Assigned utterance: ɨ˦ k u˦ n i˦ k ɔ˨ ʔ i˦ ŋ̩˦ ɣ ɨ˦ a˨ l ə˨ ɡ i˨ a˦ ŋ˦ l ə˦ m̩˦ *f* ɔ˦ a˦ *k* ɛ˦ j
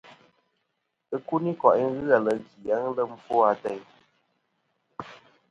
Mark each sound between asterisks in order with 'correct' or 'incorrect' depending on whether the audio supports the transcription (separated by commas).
correct, incorrect